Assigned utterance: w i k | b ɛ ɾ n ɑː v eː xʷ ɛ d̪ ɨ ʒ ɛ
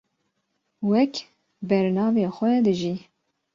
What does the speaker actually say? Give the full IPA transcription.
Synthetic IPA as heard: w ɛ k | b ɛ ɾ n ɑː v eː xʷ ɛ d̪ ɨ ʒ i